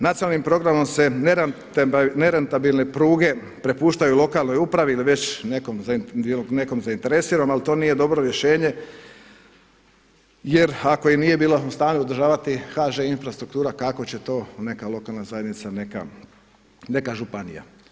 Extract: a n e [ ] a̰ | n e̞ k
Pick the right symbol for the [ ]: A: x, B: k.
B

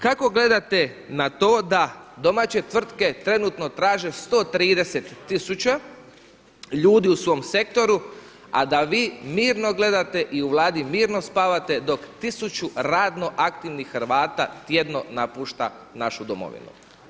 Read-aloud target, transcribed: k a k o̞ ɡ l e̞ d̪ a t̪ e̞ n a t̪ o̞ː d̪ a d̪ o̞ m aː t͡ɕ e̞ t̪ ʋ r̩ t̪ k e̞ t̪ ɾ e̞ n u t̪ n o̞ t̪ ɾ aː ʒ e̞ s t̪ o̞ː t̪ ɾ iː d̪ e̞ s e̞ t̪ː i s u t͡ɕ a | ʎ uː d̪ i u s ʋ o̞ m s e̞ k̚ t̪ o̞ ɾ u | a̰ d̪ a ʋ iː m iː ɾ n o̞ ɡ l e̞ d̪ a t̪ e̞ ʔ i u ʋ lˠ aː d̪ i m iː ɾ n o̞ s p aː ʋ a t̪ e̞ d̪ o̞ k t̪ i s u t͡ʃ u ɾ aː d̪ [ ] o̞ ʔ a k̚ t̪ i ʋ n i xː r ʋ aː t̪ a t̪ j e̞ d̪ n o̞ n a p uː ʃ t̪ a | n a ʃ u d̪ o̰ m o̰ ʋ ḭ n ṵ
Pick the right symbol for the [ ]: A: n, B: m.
A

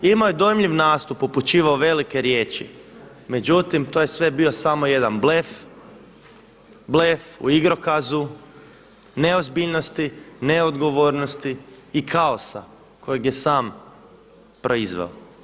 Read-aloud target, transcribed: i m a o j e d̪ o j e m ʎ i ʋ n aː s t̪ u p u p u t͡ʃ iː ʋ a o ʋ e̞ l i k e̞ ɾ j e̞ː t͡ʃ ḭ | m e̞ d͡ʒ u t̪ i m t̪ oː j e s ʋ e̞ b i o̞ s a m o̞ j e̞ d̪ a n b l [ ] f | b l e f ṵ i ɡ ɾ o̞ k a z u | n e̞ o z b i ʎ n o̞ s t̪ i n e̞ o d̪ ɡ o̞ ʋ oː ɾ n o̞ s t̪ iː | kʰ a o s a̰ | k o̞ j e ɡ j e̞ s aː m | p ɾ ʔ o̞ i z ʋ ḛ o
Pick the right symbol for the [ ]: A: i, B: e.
B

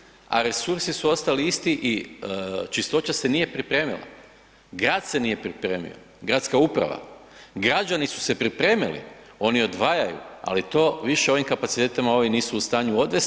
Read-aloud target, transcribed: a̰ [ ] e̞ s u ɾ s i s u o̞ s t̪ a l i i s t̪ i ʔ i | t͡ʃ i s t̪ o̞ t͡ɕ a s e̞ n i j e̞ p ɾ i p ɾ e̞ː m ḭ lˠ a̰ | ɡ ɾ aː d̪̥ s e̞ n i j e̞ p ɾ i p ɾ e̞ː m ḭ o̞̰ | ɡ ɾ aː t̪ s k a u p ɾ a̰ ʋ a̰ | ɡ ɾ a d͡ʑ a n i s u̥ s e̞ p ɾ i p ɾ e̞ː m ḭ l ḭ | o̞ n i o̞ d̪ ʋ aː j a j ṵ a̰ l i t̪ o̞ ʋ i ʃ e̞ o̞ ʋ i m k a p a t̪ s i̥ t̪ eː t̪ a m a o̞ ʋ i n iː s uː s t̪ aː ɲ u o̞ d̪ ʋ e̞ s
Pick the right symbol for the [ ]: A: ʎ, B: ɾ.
B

